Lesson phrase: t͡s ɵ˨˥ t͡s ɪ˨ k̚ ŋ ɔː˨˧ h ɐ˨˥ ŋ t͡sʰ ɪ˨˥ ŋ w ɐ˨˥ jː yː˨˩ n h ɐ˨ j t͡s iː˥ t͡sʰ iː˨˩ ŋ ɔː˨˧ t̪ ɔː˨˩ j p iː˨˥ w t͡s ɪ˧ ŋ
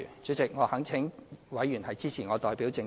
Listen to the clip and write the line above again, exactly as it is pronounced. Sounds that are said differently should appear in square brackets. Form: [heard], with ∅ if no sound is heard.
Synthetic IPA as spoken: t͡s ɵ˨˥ t͡s ɪ˨ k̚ ŋ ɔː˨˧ h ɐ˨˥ ŋ t͡sʰ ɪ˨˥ ŋ w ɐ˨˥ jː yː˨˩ n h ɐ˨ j t͡s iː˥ t͡sʰ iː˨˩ ŋ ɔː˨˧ t̪ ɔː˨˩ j p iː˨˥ w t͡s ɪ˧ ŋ